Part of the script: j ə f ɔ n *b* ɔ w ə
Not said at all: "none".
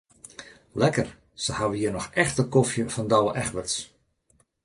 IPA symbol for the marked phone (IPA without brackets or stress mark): d